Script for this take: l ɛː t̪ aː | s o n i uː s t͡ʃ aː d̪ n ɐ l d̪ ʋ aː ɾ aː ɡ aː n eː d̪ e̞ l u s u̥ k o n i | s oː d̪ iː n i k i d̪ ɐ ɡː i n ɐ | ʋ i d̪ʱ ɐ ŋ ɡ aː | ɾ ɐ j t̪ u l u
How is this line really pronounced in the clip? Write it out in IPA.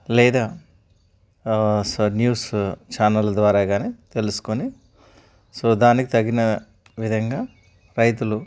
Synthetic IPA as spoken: l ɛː d̪ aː | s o n j uː s t͡ʃ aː n ɐ l d̪ ʋ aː ɾ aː ɡ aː n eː t̪ e̞ l u s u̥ k o n i | s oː d̪ aː n i k i t̪ ɐ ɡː i n ɐ | ʋ i d̪ʱ ɐ ŋ ɡ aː | ɾ ɐ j t̪ u l u